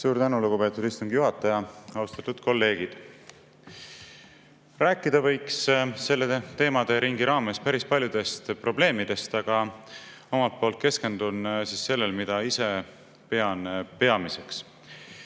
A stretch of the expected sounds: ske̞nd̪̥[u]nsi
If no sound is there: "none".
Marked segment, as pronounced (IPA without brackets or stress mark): u